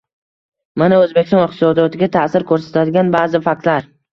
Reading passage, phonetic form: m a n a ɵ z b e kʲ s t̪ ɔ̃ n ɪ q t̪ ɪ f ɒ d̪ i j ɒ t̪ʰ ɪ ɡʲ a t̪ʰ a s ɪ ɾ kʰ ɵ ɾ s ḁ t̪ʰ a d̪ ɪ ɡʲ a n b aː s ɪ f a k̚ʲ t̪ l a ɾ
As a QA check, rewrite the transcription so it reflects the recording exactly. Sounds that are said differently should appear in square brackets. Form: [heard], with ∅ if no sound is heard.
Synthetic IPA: m a n a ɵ z b e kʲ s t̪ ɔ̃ n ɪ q t̪ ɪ [s] ɒ d̪ i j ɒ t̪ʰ ɪ ɡʲ a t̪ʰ a s ɪ ɾ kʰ ɵ ɾ s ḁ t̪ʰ a d̪ ɪ ɡʲ a n b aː [z] ɪ f a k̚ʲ t̪ l a ɾ